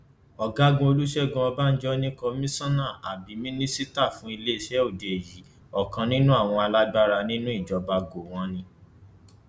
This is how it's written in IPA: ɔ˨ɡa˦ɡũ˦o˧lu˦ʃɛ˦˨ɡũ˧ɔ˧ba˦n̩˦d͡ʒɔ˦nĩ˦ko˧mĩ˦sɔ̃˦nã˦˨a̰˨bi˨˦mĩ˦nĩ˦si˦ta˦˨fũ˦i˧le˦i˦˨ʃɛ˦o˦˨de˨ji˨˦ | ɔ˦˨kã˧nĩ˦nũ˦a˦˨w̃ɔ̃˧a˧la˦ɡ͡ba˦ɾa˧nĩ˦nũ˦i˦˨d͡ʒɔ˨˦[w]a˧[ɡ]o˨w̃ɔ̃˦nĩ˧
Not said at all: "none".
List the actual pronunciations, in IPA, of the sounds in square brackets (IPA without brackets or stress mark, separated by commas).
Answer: b, ɡ